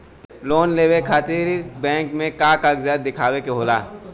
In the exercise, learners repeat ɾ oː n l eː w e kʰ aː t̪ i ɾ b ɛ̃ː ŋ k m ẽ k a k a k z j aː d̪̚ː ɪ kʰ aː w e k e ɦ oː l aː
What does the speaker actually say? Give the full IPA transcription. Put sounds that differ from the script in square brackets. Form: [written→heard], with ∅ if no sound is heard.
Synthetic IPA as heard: [ɾ→l] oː n l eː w e kʰ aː t̪ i ɾ b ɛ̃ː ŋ k m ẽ k a k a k z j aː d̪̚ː ɪ kʰ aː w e k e ɦ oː l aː

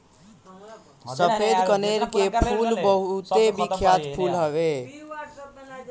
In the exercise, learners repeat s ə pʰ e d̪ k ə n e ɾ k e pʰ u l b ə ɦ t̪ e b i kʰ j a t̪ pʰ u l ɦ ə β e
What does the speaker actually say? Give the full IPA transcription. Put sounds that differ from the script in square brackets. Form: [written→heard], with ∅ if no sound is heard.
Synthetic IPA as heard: s ə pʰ e d̪ k ə n e ɾ k e pʰ u l b ə ɦ t̪ e b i kʰ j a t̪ pʰ u l ɦ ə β e

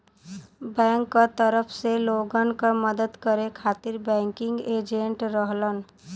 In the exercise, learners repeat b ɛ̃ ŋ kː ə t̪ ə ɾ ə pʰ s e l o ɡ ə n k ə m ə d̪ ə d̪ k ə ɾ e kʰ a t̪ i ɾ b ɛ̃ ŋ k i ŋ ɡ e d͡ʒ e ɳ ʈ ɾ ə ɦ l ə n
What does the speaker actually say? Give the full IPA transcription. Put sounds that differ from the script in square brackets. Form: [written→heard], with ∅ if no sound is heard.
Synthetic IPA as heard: b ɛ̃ ŋ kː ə t̪ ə ɾ ə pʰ s e l o ɡ ə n k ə m ə d̪ ə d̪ k ə ɾ e kʰ a t̪ i ɾ b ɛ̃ ŋ k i ŋ ɡ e d͡ʒ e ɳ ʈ ɾ ə ɦ l ə n

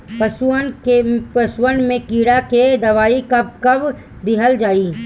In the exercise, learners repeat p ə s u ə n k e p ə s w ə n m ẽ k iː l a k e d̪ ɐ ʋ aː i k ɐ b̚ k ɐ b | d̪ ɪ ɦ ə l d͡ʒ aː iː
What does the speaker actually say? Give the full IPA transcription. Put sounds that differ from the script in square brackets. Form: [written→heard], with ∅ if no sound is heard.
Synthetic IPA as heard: p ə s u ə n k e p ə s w ə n m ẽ k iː [l→ɽ] a k e d̪ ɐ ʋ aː i k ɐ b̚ k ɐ b | d̪ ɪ ɦ ə l d͡ʒ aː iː

